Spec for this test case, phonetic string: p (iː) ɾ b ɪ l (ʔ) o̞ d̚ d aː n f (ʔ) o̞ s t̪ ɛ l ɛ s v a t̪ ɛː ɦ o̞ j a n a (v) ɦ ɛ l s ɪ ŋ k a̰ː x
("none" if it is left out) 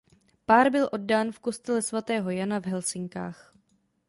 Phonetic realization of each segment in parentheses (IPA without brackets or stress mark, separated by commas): aː, ʔ, k, v